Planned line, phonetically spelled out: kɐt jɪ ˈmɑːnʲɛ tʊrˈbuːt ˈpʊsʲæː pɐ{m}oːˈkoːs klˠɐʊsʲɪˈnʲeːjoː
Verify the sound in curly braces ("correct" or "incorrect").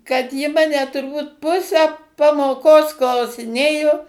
correct